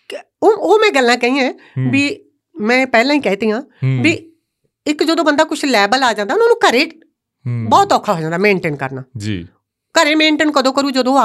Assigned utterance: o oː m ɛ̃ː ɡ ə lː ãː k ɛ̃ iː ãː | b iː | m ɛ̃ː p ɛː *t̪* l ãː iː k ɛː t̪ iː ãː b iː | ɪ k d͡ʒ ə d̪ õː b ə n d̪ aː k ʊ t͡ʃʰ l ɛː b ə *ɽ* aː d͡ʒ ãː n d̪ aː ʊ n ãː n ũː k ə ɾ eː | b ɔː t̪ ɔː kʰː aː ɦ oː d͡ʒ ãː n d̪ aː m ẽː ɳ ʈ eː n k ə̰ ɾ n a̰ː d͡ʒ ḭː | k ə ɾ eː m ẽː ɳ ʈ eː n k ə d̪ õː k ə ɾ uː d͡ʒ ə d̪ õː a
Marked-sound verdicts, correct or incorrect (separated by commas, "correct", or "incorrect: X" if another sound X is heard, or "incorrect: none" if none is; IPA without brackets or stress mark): incorrect: none, incorrect: l